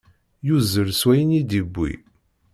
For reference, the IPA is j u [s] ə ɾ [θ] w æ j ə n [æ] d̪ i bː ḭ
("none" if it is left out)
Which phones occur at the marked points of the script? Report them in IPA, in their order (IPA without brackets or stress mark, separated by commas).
z, s, i